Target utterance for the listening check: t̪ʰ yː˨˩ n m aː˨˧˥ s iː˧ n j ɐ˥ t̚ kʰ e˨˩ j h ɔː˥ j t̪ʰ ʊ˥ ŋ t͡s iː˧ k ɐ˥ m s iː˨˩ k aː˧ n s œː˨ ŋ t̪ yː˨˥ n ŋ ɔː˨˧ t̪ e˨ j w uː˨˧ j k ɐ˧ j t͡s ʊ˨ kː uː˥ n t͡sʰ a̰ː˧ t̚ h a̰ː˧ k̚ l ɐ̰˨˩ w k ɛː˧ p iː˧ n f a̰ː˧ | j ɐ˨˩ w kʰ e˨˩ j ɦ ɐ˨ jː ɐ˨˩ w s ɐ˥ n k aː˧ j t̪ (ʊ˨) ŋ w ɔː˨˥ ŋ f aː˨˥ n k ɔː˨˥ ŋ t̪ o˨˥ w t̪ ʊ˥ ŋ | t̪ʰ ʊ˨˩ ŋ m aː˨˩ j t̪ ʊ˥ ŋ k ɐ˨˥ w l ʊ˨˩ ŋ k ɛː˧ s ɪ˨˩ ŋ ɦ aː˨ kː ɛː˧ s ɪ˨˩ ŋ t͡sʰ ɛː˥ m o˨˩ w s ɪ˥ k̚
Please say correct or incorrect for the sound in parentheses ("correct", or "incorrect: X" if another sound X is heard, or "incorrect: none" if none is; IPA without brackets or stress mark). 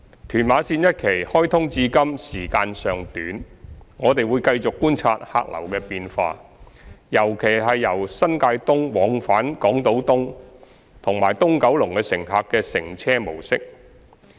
incorrect: ʊ˥